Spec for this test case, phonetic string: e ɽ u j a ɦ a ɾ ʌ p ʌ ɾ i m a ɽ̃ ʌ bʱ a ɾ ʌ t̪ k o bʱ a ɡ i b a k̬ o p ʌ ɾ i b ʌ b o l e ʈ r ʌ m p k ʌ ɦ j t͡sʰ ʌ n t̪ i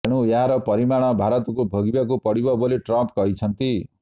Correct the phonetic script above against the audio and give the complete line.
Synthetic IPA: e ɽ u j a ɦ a ɾ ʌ p ʌ ɾ i m a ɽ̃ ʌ bʱ a ɾ ʌ t̪ k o bʱ ʌ ɡ i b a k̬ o p ʌ ɽ i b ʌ b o l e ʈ r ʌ m p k ʌ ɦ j t͡sʰ ʌ n t̪ i